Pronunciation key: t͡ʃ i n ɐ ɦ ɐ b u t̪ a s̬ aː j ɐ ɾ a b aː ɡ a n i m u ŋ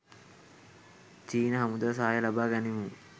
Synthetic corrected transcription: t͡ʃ iː n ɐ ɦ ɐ m u d̪ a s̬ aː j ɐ l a b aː ɡ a n i m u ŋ